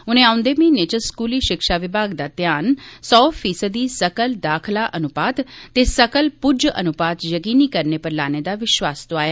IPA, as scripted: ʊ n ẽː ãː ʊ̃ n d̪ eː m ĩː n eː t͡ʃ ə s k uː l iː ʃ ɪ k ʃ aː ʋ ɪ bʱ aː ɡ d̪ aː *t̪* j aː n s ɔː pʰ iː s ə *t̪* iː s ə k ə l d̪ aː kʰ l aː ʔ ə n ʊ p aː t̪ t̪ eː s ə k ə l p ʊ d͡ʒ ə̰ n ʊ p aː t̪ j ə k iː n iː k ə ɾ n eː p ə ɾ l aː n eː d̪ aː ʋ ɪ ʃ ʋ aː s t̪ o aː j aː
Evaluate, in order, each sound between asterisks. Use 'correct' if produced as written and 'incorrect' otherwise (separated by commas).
correct, incorrect